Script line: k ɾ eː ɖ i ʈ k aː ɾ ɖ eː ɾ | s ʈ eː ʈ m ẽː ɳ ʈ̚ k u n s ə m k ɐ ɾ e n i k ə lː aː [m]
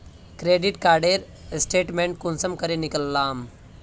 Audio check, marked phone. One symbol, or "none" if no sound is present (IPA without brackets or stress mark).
m